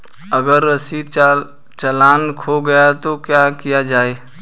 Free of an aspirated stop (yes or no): no